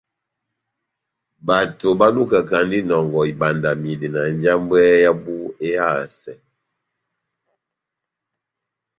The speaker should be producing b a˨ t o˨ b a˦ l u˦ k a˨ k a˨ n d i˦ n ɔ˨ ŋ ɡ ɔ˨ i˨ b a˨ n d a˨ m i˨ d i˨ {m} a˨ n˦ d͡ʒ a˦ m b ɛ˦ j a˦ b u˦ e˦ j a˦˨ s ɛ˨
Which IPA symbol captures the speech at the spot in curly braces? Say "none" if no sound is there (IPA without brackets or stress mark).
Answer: n